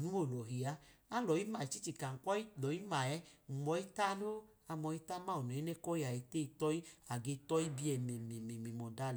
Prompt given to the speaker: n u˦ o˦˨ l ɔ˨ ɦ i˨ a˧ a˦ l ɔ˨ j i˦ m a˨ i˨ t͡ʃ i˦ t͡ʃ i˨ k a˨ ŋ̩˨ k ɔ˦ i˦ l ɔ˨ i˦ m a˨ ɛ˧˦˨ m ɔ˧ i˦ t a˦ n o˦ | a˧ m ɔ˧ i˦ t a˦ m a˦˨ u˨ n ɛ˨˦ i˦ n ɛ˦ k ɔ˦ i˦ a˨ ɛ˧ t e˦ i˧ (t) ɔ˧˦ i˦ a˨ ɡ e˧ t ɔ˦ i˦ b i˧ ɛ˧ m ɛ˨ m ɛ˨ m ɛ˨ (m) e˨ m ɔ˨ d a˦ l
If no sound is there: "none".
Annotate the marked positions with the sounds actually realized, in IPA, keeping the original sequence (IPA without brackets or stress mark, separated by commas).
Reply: t, m